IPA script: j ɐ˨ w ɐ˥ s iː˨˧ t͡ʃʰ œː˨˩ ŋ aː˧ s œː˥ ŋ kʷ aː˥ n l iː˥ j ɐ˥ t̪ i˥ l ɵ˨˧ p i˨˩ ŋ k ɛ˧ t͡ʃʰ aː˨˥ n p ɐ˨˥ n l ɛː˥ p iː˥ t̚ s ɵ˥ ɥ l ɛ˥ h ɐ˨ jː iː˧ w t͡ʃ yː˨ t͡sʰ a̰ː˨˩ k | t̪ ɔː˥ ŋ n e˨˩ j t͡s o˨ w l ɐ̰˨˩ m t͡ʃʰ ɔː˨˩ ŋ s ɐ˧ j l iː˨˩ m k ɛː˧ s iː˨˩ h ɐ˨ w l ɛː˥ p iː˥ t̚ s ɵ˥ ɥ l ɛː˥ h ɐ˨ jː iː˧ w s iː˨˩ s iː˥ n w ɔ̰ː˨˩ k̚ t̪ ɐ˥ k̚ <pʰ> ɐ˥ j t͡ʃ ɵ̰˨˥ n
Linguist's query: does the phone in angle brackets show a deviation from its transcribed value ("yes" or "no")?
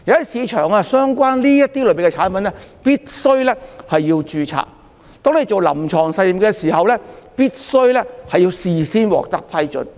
no